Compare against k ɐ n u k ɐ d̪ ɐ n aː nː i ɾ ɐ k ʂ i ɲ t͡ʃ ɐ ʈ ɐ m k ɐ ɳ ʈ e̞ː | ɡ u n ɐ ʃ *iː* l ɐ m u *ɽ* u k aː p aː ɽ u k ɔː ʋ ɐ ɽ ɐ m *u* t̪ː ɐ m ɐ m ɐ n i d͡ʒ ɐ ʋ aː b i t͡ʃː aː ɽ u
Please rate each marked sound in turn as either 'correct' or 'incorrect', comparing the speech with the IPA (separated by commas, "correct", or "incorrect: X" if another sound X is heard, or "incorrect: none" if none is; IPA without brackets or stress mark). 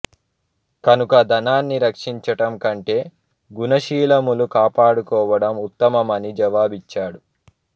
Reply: correct, incorrect: l, correct